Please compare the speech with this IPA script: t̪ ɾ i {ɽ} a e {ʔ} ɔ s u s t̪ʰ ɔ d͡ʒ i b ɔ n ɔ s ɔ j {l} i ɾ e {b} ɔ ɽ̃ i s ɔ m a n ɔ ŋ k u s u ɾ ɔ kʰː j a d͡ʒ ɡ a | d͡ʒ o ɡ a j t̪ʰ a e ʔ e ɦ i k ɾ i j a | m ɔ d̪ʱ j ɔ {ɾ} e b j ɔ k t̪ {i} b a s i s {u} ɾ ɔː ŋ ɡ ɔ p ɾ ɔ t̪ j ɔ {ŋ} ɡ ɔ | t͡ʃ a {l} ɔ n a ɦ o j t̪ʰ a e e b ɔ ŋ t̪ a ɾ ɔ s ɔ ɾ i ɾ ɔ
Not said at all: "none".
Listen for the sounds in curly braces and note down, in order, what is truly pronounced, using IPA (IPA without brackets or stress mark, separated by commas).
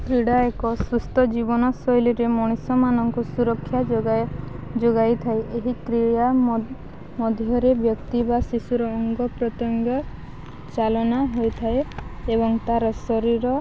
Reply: ɽ, k, l, m, ɾ, i, u, ŋ, l